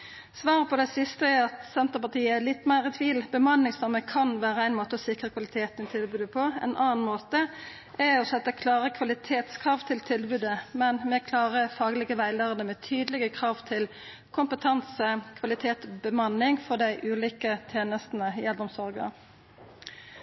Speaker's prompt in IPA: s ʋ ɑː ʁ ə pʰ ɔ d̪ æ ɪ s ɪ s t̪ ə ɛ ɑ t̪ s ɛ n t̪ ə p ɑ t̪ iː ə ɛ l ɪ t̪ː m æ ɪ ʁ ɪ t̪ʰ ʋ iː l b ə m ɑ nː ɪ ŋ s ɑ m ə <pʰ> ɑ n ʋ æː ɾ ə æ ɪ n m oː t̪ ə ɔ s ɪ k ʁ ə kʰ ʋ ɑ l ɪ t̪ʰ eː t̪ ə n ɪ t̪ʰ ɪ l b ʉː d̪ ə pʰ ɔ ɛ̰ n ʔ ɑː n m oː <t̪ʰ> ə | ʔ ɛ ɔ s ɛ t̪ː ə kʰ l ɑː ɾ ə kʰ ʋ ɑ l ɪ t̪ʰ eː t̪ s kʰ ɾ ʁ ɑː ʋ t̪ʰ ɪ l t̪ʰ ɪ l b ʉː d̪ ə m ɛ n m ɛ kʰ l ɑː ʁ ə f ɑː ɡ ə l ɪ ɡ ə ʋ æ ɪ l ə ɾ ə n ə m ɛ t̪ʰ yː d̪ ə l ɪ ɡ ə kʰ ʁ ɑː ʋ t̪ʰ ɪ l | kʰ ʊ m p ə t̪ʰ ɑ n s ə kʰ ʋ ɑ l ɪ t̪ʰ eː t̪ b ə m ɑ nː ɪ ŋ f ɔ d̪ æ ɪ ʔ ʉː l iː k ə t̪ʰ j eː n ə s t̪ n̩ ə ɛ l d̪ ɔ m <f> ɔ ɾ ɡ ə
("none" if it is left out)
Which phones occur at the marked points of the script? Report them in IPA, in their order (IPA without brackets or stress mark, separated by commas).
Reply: kʰ, t̪, s